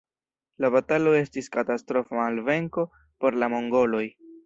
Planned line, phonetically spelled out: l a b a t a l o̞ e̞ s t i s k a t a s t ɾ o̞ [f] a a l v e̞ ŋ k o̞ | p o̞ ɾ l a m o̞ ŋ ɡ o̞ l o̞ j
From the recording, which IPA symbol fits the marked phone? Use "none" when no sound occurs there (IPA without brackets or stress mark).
f